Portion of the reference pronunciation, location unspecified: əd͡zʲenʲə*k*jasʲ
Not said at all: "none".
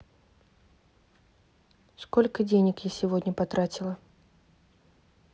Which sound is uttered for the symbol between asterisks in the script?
k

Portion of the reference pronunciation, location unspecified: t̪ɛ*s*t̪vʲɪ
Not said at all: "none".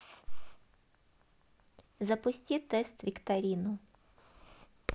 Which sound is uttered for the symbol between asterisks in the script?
s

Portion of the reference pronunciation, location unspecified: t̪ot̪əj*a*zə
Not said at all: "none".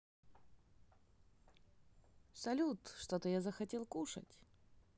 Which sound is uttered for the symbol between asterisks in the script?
a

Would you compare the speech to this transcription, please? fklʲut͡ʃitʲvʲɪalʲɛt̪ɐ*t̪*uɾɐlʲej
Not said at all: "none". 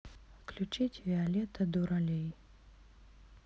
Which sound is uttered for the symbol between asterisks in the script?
d̪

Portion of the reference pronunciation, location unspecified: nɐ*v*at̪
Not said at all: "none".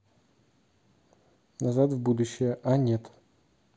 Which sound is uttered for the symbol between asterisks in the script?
z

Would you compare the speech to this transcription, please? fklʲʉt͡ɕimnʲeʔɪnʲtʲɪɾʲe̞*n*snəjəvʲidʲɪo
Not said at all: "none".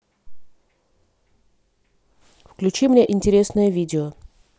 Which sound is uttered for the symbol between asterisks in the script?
none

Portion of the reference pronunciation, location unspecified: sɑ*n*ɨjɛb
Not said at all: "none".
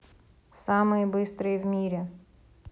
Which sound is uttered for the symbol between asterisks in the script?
m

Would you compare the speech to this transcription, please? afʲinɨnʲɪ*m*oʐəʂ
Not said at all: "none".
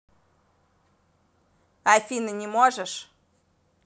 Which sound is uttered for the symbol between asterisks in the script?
m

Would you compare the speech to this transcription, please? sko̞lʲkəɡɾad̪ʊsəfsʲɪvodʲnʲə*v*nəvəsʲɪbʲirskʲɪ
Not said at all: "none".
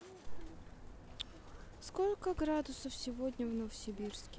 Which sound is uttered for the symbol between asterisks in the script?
v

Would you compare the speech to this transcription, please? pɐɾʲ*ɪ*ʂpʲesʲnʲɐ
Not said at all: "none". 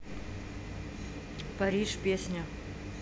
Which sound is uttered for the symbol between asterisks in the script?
i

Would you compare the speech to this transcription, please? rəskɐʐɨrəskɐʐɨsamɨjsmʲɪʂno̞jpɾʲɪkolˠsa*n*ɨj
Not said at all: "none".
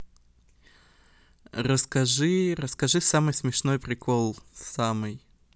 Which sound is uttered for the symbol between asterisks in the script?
m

